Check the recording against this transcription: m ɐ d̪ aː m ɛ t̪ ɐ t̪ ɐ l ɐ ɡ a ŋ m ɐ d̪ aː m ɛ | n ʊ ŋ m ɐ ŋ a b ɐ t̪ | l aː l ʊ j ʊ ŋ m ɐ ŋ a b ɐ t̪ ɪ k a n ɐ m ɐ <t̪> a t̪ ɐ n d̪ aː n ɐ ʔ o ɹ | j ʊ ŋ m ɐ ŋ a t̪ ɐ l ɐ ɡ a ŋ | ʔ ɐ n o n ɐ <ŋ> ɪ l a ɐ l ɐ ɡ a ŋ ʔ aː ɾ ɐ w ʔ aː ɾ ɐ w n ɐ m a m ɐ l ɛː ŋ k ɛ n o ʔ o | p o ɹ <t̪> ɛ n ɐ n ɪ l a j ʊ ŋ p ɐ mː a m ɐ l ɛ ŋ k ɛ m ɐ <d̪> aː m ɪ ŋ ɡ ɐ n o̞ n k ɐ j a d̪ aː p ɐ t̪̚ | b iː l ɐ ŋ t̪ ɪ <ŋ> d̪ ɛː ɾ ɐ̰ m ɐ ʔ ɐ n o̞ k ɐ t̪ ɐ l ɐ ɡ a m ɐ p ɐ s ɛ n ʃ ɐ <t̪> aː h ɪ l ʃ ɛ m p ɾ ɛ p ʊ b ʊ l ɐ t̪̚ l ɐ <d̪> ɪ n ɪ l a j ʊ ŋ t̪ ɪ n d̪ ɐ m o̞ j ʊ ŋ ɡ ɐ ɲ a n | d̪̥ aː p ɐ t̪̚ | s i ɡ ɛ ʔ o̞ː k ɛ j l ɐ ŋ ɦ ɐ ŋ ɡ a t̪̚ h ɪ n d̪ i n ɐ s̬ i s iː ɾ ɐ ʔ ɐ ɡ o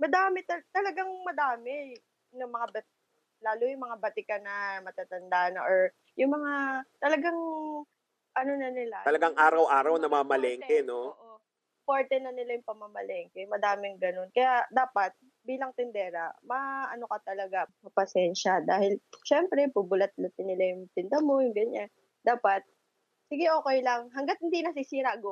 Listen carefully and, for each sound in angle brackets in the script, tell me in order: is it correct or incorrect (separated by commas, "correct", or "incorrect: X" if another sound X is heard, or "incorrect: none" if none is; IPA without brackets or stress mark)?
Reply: correct, incorrect: n, correct, correct, incorrect: n, incorrect: d̪, incorrect: t̪